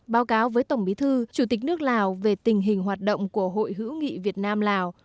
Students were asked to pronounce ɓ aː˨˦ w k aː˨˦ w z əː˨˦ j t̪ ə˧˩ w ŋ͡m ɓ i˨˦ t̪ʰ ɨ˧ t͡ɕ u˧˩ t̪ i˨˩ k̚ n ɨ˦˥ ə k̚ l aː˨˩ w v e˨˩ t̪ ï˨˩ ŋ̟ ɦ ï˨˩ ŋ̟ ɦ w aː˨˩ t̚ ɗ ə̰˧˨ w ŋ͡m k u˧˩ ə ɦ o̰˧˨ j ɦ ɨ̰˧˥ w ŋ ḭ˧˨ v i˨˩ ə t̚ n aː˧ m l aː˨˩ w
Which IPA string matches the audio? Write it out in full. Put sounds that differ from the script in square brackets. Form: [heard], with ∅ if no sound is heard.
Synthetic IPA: ɓ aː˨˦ w k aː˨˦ w [v] əː˨˦ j t̪ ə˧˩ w ŋ͡m ɓ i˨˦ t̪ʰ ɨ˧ t͡ɕ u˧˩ t̪ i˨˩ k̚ n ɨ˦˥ ə k̚ l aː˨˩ w v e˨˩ t̪ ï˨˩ ŋ̟ ɦ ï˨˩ ŋ̟ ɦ w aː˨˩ t̚ ɗ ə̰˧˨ w ŋ͡m k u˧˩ ə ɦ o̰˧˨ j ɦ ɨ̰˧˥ w ŋ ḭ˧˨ v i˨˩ ə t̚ n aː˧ m l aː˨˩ w